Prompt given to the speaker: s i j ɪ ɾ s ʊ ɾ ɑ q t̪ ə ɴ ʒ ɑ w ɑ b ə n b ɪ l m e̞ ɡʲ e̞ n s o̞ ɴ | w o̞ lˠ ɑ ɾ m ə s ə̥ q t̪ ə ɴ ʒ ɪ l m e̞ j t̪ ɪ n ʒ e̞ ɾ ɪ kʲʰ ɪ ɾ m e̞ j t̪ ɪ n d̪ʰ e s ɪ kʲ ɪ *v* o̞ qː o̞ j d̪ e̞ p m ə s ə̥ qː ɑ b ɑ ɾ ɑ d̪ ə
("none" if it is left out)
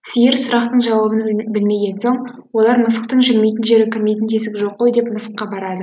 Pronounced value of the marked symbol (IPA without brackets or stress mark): ʒ